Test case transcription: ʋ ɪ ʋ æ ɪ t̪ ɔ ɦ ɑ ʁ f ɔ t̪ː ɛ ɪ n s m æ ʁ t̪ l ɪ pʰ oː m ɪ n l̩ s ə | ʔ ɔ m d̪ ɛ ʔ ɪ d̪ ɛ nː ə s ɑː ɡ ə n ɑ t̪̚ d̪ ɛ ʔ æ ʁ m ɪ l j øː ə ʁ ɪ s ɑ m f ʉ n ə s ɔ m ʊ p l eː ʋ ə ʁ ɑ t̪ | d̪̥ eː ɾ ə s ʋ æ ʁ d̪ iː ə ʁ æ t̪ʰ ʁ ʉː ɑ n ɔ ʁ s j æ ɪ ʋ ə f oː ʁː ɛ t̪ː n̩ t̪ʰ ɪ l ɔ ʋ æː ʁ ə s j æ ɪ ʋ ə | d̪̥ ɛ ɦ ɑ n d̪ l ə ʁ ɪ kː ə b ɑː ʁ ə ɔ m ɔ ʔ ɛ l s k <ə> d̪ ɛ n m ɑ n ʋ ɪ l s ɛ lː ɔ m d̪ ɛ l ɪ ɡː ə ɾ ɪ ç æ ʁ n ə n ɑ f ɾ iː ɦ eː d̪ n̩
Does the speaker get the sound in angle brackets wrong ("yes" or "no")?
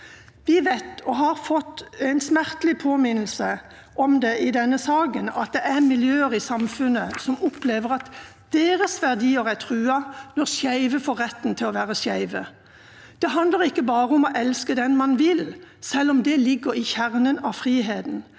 no